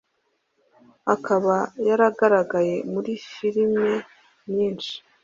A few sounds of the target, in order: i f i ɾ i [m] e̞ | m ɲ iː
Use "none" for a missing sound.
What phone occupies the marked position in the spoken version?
m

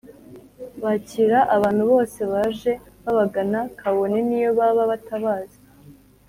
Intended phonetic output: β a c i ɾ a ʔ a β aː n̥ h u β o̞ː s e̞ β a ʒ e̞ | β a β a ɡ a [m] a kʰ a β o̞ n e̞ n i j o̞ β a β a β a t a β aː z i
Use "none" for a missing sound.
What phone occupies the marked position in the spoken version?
n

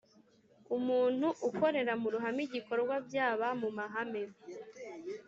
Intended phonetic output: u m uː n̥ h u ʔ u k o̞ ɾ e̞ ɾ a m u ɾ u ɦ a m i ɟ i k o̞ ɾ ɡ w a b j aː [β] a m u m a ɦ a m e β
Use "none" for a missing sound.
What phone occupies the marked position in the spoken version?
β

